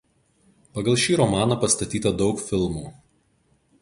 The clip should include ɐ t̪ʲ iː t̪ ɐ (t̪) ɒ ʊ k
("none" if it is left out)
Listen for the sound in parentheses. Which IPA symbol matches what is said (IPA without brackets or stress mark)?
d̪